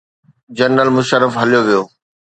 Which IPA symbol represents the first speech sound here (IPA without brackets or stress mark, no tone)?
d͡ʑ